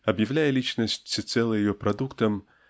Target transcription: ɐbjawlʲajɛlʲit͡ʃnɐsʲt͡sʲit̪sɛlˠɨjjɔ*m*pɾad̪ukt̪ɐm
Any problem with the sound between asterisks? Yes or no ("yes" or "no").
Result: yes